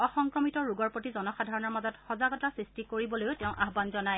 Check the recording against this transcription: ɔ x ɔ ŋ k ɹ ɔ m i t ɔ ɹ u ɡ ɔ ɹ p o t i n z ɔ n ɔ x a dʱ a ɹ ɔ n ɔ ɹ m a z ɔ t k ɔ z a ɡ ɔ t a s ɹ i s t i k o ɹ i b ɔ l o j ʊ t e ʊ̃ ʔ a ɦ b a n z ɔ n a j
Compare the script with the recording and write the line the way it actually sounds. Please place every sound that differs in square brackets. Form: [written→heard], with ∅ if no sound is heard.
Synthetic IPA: ɔ x ɔ ŋ k ɹ ɔ m i t ɔ ɹ u ɡ ɔ ɹ p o t i [n→∅] z ɔ n ɔ x a dʱ a ɹ ɔ n ɔ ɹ m a z ɔ t [k→x] ɔ z a ɡ ɔ t a s ɹ i s t i k o ɹ i b ɔ l o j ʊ t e ʊ̃ ʔ a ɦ b a n z ɔ n a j